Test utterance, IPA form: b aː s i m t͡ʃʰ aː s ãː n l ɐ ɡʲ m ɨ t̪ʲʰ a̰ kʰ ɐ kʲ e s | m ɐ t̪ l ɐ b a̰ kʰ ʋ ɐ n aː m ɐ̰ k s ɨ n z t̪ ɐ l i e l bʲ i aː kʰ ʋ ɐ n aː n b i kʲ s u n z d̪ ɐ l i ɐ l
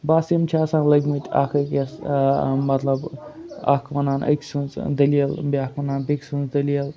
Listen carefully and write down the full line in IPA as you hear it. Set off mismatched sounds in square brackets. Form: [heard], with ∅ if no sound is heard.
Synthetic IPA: b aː s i m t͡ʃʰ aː s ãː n l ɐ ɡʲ m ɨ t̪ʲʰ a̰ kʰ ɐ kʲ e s | m ɐ t̪ l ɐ b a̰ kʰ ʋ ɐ n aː [n] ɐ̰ k s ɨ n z [d̪] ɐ l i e l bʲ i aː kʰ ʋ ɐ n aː n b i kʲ s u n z d̪ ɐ l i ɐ l